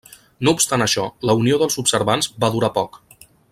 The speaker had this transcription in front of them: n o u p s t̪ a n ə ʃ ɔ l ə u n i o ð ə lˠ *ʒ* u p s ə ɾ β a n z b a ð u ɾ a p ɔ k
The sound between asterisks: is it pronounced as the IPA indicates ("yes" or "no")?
no